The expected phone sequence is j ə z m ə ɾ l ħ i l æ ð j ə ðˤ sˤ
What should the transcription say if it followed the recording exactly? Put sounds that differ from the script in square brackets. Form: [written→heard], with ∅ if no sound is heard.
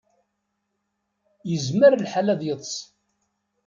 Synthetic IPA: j ə z m ə ɾ l ħ [i→a] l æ ð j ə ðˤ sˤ

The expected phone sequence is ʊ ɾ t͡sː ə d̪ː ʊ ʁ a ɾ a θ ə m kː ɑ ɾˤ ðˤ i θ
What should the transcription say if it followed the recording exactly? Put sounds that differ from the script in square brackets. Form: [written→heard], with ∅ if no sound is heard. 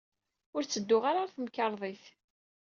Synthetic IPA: ʊ ɾ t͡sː ə d̪ː ʊ ʁ a ɾ a θ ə m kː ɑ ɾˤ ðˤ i θ

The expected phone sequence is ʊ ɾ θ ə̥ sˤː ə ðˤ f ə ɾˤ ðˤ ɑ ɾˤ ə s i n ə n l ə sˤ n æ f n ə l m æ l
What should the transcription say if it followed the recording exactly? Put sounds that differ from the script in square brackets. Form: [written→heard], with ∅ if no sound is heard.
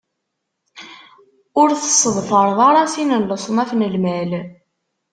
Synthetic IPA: ʊ ɾ θ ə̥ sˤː ə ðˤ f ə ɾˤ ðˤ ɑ ɾˤ [ə→ɑ] s i n ə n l ə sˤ n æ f n ə l m æ l

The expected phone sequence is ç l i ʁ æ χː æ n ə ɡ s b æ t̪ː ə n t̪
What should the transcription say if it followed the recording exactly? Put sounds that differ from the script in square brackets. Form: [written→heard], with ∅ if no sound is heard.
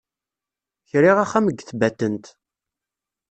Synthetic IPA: ç [l→ɾ] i ʁ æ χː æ [n→m] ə ɡ [s→θ] b æ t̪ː ə n t̪

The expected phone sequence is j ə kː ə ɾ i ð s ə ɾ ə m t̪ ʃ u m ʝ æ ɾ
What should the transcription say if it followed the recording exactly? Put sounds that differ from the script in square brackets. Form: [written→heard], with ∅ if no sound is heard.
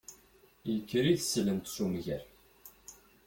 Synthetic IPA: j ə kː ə ɾ i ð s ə [ɾ→l] ə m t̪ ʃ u m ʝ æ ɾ

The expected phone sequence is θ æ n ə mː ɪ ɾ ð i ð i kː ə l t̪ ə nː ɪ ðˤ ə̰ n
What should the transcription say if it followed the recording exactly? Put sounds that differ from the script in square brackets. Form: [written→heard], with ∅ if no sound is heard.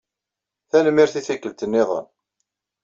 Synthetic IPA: θ æ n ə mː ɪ ɾ [ð→θ] i [ð→θ] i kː ə l t̪ ə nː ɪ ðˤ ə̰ n

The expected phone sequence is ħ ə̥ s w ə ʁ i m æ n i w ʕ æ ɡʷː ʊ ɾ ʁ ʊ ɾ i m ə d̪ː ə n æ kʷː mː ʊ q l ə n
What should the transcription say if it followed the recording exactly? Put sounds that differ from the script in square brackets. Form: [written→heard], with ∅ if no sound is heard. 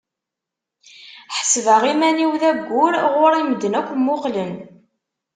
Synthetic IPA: ħ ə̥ s [w→v] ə ʁ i m æ n i w [ʕ→ð] æ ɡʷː ʊ ɾ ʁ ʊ ɾ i m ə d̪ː ə n æ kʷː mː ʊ q l ə n

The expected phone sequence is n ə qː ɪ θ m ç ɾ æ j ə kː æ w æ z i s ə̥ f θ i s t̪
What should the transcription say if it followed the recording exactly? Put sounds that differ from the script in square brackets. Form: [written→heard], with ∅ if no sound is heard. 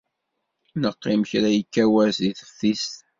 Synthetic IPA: n ə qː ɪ [θ→∅] m ç ɾ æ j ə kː æ w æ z i [s→θ] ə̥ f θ i s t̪

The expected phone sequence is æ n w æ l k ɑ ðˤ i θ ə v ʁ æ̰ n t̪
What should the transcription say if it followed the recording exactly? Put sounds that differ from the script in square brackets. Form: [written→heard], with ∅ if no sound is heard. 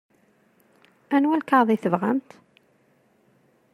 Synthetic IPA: æ n w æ l k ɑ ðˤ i θ ə v ʁ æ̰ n t̪

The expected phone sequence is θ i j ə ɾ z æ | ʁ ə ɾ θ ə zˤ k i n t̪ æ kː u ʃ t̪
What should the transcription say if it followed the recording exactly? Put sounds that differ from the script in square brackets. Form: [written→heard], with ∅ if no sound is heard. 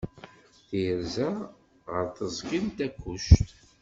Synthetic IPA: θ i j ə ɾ z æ | ʁ ə ɾ θ ə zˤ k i n t̪ æ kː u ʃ t̪

